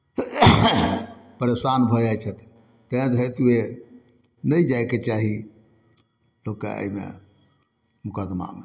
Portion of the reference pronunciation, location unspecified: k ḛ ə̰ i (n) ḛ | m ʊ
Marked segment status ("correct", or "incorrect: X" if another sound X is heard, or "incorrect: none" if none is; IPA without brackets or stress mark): incorrect: m